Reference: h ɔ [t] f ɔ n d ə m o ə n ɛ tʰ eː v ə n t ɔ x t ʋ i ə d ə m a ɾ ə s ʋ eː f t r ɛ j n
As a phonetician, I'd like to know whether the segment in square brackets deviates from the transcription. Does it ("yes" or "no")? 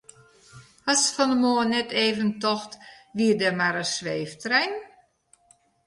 yes